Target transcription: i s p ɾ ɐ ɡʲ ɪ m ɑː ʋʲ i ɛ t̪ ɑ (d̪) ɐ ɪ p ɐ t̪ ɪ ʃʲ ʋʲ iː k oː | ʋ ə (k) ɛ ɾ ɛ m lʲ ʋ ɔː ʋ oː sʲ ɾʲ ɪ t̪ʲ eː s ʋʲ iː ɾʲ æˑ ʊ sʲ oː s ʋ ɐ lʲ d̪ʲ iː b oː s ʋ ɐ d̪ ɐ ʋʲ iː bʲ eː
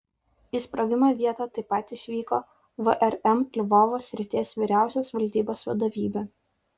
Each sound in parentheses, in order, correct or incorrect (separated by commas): incorrect, incorrect